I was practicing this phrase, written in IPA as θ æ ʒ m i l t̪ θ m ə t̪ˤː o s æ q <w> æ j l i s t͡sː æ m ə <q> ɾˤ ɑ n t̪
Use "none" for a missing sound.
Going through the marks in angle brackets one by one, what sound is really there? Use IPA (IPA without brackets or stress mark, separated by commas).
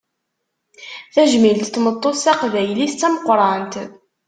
v, q